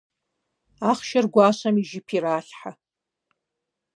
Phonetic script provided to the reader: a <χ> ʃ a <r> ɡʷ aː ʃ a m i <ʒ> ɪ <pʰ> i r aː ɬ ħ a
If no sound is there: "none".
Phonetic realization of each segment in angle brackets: χ, r, ʒ, pʰ

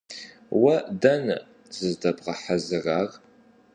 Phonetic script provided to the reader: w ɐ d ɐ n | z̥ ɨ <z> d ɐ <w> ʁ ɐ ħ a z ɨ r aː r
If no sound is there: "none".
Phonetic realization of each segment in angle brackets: z, b

